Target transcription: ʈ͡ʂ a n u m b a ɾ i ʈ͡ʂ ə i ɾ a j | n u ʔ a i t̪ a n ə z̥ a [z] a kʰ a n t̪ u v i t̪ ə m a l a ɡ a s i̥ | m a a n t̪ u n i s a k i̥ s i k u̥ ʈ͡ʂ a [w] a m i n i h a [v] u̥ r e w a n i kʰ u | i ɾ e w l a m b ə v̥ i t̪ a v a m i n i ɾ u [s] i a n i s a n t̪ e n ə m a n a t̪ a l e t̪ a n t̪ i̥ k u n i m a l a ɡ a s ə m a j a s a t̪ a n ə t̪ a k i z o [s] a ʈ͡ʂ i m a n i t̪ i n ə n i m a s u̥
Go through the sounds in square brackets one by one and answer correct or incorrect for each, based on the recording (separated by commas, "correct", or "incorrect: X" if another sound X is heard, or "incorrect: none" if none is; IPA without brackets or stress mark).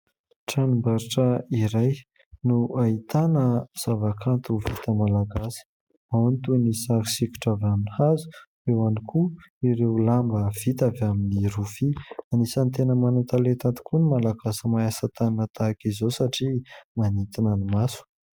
incorrect: v, incorrect: v, incorrect: z, incorrect: f, correct